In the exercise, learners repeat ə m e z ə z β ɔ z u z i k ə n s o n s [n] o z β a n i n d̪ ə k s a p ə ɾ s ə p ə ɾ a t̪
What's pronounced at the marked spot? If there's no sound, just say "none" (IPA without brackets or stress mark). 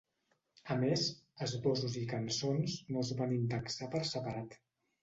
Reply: n